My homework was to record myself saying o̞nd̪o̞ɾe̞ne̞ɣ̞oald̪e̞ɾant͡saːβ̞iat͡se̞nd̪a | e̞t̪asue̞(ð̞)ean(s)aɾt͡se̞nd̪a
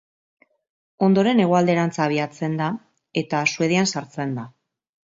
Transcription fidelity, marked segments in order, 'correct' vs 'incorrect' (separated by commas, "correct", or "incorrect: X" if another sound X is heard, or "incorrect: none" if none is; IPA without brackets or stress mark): correct, correct